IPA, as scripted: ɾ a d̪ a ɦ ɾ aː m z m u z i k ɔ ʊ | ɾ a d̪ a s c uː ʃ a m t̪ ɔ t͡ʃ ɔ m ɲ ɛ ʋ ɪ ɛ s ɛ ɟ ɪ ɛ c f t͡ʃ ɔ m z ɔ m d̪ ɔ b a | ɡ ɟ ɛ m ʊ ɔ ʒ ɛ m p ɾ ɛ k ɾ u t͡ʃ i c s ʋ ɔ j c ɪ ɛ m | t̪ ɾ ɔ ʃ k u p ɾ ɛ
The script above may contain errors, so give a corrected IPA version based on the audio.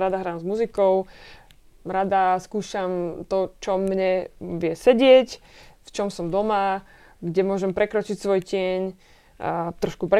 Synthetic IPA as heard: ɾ a d̪ a ɦ ɾ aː m z m u z i k ɔ ʊ | ɾ a d̪ a s k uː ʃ a m t̪ ɔ t͡ʃ ɔ m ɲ ɛ ʋ ɪ ɛ s ɛ ɟ ɪ ɛ c f t͡ʃ ɔ m s ɔ m d̪ ɔ m a | ɡ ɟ ɛ m ʊ ɔ ʒ ɛ m p ɾ ɛ k ɾ ɔ t͡ʃ i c s ʋ ɔ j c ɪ ɛ ɲ | t̪ ɾ ɔ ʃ k u p ɾ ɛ